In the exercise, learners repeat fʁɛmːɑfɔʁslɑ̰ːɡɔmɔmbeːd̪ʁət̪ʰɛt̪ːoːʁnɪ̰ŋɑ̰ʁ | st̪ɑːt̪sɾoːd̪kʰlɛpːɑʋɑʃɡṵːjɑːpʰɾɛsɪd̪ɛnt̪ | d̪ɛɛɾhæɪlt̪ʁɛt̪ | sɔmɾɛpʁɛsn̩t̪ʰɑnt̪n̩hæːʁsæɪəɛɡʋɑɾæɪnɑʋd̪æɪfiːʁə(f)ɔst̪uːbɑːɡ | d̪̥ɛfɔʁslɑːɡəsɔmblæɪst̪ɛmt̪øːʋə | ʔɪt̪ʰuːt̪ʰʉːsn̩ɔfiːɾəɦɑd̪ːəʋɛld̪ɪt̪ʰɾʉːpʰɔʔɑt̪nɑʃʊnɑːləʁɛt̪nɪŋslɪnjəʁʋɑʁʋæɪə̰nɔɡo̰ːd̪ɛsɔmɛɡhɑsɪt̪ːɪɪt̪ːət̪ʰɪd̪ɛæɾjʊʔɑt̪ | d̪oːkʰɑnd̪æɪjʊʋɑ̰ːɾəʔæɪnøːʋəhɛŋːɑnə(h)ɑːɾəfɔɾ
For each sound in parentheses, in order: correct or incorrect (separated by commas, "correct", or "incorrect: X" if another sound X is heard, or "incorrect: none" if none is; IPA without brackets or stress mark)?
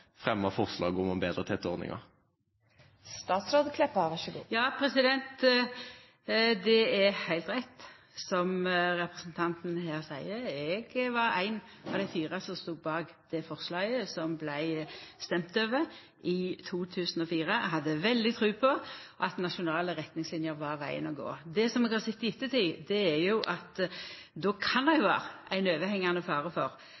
incorrect: s, incorrect: f